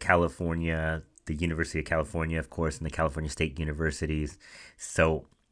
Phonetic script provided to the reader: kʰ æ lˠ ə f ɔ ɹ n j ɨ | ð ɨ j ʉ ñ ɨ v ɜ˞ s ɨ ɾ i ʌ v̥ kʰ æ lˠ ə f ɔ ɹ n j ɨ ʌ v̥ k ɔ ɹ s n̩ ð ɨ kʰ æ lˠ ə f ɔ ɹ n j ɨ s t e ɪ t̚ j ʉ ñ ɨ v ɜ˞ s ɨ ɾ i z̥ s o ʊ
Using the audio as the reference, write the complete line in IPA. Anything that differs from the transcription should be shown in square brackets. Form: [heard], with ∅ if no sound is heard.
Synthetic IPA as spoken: kʰ æ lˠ ə f ɔ ɹ n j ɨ | ð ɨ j ʉ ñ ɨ v ɜ˞ s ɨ ɾ i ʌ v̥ kʰ æ lˠ ə f ɔ ɹ n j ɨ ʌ v̥ [kʰ] ɔ ɹ s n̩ ð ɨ kʰ æ lˠ ə f ɔ ɹ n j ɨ s t e ɪ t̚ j ʉ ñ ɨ v ɜ˞ s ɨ ɾ i z̥ s o ʊ